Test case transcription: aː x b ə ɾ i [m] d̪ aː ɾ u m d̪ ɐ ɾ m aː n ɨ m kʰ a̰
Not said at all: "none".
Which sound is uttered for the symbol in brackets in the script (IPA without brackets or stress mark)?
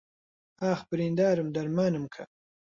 n